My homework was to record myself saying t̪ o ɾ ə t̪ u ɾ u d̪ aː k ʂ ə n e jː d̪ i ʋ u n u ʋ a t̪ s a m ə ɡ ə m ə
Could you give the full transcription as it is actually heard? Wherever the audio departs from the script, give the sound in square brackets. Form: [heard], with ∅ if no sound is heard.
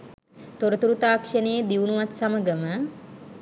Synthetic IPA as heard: t̪ o ɾ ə t̪ u ɾ u [t̪] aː k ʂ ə n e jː d̪ i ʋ u n u ʋ a t̪ s a m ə ɡ ə m ə